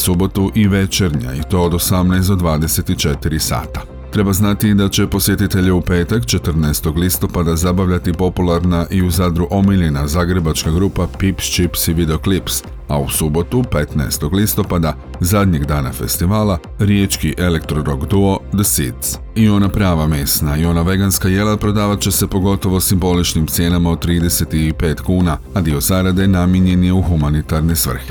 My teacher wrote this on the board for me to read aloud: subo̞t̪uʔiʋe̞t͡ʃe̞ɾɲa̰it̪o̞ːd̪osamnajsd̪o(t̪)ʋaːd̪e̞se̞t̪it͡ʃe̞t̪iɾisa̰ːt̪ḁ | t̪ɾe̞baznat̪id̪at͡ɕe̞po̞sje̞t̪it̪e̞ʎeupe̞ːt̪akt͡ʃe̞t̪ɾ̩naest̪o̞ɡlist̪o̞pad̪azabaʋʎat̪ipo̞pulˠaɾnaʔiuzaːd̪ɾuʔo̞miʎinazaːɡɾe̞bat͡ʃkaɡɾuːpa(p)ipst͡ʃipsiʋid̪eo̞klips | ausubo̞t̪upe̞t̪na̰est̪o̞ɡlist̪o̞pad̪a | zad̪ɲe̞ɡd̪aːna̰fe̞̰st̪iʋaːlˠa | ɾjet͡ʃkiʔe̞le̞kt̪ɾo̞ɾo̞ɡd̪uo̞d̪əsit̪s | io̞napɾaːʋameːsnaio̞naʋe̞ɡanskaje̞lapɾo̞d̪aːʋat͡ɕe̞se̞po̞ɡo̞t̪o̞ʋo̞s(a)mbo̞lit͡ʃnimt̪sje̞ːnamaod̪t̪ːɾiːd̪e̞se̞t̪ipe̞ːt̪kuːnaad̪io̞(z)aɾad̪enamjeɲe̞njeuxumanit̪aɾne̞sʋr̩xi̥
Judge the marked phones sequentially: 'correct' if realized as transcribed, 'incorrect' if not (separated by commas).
incorrect, correct, incorrect, correct